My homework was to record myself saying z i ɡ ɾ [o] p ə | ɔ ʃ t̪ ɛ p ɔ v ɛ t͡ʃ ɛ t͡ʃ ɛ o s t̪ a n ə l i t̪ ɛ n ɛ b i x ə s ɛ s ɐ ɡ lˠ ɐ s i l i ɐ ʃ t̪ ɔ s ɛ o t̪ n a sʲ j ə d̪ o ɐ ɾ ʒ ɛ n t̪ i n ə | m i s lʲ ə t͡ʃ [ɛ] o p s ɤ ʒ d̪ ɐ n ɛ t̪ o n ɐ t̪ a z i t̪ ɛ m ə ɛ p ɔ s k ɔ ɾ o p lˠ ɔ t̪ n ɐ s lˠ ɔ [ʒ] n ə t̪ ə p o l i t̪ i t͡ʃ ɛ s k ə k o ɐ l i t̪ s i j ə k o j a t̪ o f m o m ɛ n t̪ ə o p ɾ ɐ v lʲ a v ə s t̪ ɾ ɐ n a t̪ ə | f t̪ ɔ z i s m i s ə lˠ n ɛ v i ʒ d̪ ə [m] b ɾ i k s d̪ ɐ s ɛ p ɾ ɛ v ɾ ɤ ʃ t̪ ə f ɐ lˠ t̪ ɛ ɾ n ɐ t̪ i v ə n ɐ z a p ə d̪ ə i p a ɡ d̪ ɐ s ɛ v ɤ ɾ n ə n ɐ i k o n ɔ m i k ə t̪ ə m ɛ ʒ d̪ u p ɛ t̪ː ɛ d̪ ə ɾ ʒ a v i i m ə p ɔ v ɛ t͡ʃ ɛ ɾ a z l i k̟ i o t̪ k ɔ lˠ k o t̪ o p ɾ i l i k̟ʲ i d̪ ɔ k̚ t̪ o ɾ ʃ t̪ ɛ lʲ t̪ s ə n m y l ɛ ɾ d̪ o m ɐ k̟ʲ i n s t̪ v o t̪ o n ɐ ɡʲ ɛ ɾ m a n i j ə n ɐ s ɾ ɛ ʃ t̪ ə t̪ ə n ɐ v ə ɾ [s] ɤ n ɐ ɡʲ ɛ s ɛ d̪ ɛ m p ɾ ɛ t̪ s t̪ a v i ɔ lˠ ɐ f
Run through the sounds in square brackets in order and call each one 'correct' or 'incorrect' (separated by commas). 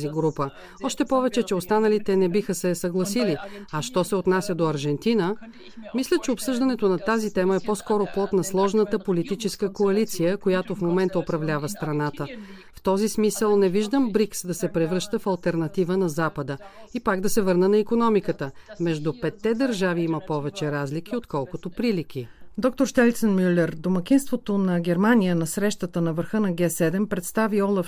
incorrect, correct, correct, correct, incorrect